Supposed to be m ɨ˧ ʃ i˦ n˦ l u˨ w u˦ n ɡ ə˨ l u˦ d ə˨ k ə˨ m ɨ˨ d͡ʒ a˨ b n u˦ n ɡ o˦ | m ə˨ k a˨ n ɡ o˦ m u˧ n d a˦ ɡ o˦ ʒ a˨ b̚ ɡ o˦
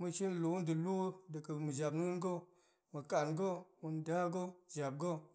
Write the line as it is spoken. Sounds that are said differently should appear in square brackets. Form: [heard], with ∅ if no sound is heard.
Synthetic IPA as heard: m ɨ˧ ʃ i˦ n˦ l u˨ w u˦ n [d] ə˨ l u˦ d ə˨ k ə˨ m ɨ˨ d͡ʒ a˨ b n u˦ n ɡ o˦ | m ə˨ k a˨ n ɡ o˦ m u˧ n d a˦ ɡ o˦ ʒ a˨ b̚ ɡ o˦

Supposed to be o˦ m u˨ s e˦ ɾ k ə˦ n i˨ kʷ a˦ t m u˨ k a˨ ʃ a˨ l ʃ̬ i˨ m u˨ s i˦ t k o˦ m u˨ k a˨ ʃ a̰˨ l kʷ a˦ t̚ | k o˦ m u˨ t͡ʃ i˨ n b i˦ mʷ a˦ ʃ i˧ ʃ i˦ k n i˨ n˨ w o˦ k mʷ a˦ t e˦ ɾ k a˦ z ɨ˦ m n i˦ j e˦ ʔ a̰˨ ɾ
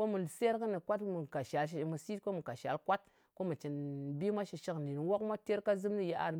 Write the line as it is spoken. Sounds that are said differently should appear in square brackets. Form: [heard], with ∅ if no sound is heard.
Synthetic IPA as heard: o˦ m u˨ s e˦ ɾ k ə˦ n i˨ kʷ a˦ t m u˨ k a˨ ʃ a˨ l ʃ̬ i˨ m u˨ s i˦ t k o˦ m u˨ k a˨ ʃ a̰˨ l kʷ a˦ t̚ | k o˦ m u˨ t͡ʃ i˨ n b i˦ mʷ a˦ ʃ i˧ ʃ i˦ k n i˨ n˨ w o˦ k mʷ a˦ t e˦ ɾ k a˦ z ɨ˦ m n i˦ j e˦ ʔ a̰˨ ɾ

